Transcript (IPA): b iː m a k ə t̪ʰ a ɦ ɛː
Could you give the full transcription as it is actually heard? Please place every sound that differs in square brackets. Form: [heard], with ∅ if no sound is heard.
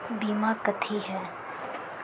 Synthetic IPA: b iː m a k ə t̪ʰ [i] ɦ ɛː